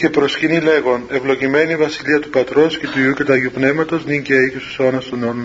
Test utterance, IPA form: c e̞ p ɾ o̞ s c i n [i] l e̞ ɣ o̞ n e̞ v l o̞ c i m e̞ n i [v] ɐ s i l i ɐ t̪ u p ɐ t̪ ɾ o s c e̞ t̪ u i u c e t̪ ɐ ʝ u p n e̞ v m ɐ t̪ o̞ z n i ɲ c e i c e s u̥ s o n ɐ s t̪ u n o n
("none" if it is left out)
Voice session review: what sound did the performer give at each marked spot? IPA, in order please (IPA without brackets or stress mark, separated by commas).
i, v